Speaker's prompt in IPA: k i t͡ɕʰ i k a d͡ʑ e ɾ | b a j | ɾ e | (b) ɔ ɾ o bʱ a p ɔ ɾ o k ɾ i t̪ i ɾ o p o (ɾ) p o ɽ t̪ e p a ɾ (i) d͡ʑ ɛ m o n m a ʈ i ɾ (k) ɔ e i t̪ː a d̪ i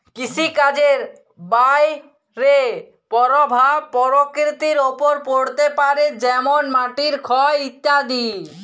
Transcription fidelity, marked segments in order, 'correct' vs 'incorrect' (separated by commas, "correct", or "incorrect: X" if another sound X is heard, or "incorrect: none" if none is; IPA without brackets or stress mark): incorrect: p, correct, incorrect: e, incorrect: kʰ